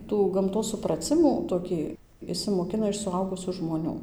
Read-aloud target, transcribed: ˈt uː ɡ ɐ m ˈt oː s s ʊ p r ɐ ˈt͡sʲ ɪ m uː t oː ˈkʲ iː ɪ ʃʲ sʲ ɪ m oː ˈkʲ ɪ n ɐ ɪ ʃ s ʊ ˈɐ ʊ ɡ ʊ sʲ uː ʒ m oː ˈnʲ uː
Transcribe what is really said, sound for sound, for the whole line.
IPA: ˈt uː ɡ ɐ m ˈt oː s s ʊ p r ɐ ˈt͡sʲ ɪ m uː t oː ˈkʲ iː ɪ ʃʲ sʲ ɪ m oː ˈkʲ ɪ n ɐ ɪ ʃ s ʊ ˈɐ ʊ ɡ ʊ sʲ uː ʒ m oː ˈnʲ uː